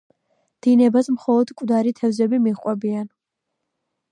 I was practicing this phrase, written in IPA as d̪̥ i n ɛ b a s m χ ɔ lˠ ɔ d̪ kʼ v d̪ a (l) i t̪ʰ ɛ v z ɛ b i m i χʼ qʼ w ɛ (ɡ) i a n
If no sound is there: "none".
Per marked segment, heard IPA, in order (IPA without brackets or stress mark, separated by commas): ɾ, b